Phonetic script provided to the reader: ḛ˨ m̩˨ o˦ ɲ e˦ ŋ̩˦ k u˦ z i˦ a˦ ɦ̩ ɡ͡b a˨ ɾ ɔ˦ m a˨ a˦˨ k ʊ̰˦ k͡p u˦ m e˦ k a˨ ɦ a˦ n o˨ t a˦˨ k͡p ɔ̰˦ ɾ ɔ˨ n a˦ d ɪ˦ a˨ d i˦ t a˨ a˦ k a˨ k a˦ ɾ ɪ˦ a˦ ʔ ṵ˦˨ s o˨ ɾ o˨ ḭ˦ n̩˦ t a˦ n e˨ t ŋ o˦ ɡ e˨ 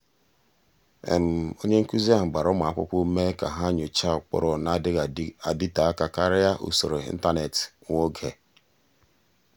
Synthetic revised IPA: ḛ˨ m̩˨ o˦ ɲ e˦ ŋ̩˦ k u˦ z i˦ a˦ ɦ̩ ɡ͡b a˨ ɾ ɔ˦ m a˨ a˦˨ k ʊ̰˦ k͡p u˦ m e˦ k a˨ ɦ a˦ ɲ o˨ t͡ʃ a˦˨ k͡p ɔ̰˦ ɾ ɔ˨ n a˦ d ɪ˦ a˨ d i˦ t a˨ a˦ k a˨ k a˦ ɾ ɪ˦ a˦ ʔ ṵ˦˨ s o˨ ɾ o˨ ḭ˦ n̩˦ t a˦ n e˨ t ŋ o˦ ɡ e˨